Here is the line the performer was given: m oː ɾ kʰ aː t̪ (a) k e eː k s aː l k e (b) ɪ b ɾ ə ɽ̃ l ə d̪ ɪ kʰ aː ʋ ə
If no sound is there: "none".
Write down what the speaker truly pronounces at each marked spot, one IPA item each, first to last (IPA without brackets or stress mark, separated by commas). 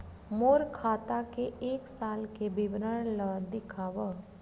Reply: a, b